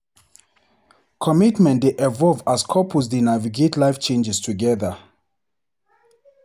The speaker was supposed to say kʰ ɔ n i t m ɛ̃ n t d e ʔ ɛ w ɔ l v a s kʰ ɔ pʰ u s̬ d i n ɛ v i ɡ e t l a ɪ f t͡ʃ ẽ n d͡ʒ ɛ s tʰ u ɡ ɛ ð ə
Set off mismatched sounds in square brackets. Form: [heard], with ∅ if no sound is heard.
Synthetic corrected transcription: kʰ ɔ [m] i t m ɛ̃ n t d e ʔ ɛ [v] ɔ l v a s kʰ ɔ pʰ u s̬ d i n [a] v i ɡ e t l a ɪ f t͡ʃ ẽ n d͡ʒ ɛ s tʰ u ɡ ɛ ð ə